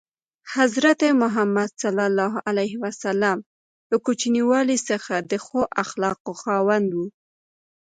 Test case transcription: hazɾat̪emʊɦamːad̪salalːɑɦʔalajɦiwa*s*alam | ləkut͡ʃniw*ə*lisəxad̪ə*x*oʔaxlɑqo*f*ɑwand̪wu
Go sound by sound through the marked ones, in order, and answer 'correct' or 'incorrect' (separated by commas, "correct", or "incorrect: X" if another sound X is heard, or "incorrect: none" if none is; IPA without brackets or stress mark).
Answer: correct, incorrect: ɑ, correct, incorrect: x